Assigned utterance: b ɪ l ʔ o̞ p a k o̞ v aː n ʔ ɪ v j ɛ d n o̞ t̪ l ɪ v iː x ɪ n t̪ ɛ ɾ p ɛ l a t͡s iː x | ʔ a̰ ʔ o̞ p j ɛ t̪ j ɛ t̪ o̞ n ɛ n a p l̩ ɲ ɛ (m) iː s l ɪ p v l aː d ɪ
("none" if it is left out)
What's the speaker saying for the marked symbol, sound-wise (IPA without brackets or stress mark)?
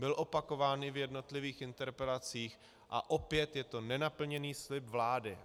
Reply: n